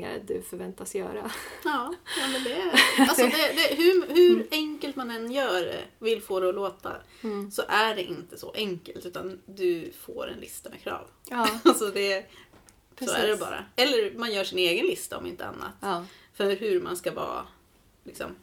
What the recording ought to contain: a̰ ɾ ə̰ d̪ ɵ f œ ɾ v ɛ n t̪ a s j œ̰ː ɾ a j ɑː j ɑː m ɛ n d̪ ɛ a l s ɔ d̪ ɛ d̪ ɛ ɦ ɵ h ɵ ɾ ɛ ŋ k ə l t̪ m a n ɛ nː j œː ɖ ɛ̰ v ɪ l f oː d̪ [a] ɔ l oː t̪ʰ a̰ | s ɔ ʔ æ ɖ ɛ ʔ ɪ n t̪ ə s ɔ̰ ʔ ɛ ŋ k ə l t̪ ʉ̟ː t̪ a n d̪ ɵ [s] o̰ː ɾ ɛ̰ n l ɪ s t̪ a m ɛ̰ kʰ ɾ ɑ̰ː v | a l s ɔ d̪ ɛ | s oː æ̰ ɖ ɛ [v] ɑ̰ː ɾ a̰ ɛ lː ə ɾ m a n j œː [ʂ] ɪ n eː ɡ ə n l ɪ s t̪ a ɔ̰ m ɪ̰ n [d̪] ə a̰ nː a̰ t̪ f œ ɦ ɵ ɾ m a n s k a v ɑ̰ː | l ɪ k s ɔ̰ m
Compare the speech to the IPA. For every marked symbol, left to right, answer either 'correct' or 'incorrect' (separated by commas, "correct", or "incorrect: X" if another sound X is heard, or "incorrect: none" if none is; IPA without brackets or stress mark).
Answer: incorrect: ɛ, incorrect: f, incorrect: b, correct, incorrect: t̪